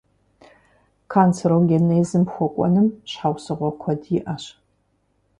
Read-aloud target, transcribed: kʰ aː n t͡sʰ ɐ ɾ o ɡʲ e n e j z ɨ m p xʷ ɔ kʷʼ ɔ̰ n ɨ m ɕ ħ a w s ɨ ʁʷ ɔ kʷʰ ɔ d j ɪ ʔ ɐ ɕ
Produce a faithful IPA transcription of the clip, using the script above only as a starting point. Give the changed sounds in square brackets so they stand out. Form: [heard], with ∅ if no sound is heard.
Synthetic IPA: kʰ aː n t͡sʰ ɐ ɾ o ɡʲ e n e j z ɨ m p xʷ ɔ kʷʼ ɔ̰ n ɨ m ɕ ħ a w s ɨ ʁʷ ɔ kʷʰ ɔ d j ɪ ʔ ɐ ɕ